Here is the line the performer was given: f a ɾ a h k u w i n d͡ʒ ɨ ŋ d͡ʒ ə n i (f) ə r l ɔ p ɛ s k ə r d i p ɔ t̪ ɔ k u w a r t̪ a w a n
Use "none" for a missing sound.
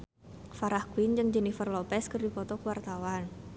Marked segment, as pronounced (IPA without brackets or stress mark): f